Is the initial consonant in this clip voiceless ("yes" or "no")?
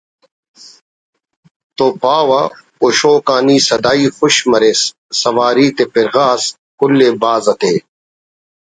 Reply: yes